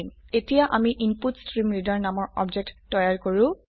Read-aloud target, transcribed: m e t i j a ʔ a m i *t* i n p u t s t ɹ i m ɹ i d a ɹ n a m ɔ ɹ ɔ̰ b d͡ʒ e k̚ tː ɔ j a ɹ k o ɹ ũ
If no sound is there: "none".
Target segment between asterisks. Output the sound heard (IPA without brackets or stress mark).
ʔ